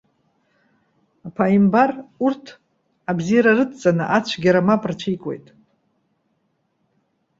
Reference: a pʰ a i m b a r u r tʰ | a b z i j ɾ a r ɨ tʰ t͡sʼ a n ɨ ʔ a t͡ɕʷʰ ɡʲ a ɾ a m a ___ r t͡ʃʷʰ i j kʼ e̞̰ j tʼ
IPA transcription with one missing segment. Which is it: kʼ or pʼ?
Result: pʼ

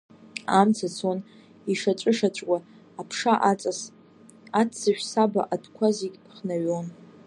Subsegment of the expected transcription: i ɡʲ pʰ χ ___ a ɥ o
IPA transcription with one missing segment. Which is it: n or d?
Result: n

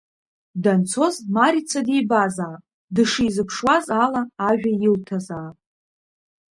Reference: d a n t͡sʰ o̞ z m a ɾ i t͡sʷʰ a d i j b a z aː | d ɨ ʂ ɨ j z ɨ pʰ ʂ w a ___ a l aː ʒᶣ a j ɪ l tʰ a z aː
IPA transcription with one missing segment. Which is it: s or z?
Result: z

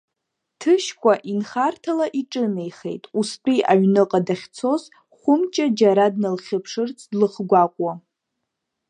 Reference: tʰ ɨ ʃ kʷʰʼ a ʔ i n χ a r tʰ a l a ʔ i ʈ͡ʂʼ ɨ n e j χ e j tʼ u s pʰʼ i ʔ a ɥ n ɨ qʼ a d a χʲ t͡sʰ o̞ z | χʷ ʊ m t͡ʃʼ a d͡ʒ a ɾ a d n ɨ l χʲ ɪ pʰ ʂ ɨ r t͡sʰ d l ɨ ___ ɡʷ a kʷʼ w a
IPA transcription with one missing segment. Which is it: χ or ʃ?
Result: χ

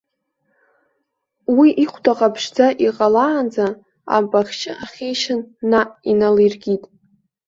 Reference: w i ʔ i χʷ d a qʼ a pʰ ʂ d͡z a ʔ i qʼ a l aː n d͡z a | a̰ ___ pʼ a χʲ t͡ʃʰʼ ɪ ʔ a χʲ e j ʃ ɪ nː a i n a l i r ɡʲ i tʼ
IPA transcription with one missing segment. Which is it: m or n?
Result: m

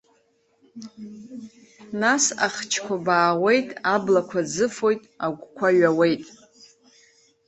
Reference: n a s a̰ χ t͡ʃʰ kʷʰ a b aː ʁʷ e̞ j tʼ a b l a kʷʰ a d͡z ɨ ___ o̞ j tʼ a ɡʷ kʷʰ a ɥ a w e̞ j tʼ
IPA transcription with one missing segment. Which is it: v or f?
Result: f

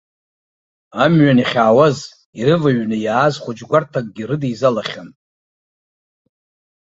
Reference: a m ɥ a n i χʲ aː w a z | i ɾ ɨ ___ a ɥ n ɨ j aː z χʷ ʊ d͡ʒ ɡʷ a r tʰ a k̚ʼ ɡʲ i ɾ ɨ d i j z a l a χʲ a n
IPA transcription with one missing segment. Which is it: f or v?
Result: v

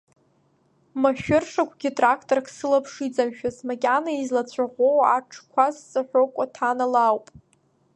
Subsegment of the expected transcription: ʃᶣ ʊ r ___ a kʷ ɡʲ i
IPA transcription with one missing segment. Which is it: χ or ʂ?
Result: ʂ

